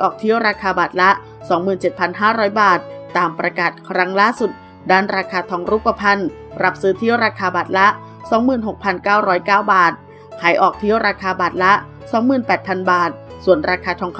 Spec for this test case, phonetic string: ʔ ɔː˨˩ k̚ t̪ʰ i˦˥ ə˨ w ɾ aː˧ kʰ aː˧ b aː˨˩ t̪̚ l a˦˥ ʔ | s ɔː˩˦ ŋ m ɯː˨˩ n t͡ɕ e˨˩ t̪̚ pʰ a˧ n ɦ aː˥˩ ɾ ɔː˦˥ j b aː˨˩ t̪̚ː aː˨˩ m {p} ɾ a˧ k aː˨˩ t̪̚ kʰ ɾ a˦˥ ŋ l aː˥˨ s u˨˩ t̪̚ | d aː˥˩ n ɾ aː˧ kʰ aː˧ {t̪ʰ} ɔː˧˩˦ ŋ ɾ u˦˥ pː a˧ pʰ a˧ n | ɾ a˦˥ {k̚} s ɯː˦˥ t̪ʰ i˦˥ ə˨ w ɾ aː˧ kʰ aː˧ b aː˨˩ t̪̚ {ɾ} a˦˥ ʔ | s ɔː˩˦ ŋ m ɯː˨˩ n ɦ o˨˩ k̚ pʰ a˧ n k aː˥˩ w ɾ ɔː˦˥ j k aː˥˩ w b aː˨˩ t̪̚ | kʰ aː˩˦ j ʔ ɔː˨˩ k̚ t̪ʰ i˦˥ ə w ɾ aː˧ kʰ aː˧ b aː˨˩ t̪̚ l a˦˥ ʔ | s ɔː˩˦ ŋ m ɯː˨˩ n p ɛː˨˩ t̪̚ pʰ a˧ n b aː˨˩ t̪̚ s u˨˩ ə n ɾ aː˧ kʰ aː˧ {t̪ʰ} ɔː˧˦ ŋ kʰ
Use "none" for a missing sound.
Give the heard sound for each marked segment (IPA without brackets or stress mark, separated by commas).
p, t̪ʰ, p̚, l, t̪ʰ